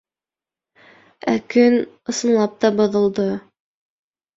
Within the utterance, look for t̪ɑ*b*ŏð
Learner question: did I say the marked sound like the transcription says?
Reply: yes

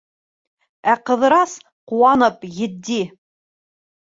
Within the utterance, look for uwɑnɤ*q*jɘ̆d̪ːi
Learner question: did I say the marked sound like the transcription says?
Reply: no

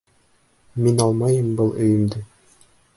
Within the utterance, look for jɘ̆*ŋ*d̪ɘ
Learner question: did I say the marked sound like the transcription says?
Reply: no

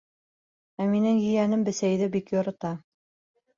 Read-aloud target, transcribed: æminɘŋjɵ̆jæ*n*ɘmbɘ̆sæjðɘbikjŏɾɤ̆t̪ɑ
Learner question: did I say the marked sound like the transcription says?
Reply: yes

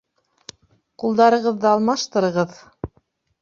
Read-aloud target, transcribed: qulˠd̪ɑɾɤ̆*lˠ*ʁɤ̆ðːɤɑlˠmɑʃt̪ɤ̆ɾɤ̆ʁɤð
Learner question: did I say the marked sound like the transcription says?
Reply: no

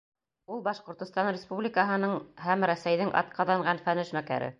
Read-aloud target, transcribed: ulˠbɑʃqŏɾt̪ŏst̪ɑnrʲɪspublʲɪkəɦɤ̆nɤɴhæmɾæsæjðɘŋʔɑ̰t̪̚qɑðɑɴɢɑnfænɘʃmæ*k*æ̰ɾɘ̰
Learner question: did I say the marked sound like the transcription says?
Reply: yes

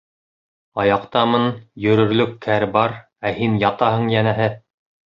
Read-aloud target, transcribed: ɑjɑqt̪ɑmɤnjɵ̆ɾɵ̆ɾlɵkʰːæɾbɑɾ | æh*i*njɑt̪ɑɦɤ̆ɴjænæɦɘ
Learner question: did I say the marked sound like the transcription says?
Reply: yes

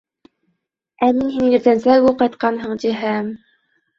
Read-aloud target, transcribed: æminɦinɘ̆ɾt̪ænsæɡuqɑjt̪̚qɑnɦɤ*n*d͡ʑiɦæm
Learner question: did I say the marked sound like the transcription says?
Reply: no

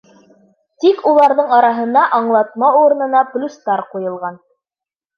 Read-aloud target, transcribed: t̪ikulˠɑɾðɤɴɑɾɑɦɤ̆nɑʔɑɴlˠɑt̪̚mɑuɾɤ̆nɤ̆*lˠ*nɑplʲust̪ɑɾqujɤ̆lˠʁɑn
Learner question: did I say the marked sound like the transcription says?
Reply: no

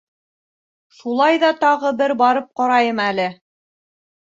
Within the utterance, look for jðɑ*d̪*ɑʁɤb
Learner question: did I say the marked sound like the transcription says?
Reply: no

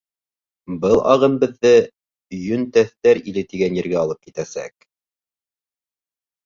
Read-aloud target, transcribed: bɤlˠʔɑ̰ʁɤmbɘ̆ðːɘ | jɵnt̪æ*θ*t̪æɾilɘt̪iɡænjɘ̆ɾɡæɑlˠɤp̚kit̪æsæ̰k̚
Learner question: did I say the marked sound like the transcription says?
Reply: yes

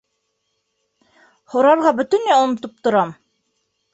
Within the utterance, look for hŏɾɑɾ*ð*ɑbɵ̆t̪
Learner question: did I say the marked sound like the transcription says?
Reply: no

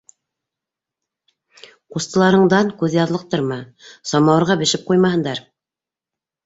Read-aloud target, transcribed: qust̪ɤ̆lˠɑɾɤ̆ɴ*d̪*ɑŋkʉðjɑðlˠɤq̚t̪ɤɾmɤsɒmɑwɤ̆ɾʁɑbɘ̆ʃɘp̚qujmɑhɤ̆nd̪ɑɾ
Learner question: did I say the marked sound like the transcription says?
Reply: yes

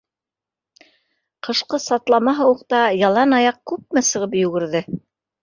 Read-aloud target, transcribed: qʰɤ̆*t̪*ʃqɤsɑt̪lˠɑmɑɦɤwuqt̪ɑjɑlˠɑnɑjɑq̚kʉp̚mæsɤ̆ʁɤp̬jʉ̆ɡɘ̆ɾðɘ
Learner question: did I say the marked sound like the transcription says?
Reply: no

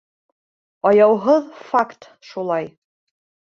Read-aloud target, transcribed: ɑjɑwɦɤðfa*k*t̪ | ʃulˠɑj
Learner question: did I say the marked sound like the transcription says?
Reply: yes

